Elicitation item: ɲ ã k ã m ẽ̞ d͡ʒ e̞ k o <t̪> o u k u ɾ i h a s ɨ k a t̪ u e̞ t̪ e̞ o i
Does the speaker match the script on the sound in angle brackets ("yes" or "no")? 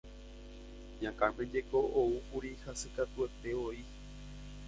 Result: no